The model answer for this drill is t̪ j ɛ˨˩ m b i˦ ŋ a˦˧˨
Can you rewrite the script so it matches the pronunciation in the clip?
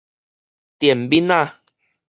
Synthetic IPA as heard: t̪ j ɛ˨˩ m b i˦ n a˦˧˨